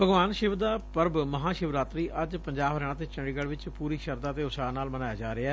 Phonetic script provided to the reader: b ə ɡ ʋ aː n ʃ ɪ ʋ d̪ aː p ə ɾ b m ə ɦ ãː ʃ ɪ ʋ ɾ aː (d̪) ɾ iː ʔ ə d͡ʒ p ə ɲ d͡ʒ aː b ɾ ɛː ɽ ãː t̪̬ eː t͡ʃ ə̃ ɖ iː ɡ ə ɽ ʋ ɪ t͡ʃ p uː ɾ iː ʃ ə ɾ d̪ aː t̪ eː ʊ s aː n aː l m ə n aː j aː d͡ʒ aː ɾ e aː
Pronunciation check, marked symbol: incorrect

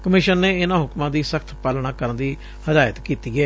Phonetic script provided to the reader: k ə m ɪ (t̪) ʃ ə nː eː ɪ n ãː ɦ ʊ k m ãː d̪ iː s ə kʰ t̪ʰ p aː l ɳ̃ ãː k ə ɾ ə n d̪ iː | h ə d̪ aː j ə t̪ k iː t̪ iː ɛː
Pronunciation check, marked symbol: incorrect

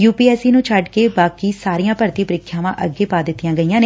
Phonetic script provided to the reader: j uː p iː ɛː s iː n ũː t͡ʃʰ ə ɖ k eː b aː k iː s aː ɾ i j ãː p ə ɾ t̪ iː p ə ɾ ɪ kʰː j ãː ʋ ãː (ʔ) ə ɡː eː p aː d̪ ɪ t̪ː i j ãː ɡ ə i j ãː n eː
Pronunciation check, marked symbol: correct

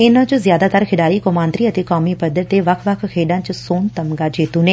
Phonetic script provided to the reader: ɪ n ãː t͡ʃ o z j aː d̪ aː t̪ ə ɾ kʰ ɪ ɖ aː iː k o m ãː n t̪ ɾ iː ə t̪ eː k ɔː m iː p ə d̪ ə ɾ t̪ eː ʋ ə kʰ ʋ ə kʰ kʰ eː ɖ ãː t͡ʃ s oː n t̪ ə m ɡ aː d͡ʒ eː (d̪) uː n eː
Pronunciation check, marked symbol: incorrect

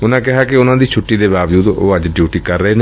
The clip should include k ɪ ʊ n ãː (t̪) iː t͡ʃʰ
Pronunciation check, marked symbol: incorrect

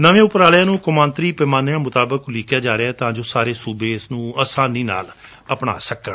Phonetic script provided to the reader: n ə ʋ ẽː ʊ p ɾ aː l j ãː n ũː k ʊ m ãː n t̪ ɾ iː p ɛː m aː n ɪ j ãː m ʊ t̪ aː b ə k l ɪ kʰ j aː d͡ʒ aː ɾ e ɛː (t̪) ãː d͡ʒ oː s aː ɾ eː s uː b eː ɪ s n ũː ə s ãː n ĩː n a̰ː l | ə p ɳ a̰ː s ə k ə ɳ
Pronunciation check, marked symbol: correct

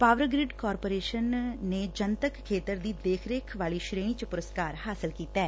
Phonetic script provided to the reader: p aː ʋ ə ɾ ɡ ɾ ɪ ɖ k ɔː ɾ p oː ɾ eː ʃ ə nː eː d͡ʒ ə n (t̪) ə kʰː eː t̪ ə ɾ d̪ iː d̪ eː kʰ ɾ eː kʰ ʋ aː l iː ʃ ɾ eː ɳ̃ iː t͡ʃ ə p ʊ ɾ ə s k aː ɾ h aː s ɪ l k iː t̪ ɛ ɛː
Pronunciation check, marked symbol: correct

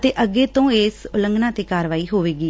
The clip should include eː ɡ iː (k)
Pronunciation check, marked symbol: incorrect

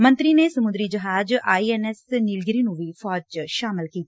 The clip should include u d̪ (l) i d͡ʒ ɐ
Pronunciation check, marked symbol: incorrect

